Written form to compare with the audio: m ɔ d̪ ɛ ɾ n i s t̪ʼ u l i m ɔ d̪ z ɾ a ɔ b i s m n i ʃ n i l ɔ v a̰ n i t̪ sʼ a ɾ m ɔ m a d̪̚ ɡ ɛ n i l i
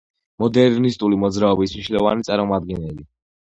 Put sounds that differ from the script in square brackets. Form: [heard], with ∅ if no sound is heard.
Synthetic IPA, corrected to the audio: m ɔ d̪ ɛ ɾ n i s t̪ʼ u l i m ɔ d̪ z ɾ a ɔ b i s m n i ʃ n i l ɔ v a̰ n i t̪ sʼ a ɾ m ɔ m a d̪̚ ɡ ɛ n [ɛ] l i